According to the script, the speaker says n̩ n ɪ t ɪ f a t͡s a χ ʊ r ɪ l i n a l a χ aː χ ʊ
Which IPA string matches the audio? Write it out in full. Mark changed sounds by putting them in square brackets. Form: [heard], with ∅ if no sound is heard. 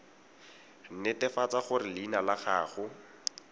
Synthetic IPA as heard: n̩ n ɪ t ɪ f a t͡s a χ ʊ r ɪ l i n a l a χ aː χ ʊ